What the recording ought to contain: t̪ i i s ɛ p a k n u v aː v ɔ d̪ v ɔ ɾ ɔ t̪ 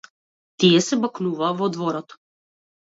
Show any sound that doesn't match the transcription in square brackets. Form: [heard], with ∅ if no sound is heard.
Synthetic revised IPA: t̪ i [ɛ] s ɛ [b] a k n u v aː v ɔ d̪ v ɔ ɾ ɔ t̪